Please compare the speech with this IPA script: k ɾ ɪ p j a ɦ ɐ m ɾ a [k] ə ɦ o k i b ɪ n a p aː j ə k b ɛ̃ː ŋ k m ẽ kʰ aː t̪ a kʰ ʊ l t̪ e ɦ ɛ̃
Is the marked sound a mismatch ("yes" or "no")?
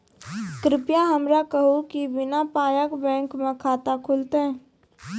no